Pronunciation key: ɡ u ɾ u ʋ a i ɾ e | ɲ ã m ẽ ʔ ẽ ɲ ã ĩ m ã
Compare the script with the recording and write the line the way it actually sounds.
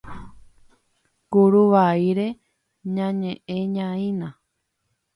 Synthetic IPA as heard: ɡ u ɾ u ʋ a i ɾ e | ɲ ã ɲ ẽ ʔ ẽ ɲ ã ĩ n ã